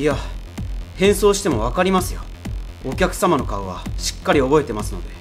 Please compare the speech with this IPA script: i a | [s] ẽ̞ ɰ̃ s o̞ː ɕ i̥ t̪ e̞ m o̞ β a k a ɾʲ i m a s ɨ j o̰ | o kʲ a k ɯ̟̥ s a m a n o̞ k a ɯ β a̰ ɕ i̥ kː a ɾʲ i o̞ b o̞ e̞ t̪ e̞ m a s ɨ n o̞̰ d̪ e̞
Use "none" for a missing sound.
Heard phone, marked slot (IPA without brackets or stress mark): h